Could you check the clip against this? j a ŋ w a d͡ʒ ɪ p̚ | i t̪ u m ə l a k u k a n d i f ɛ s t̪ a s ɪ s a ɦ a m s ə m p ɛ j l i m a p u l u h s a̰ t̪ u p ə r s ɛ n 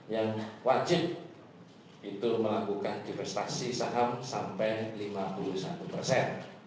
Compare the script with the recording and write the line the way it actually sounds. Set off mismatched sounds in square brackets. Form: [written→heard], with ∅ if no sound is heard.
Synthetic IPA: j a ŋ w a d͡ʒ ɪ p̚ | i t̪ u m ə l a k u k a n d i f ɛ s t̪ a s [ɪ→i] s a ɦ a m s [ə→a] m p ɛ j l i m a p u l u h s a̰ t̪ u p ə r s ɛ n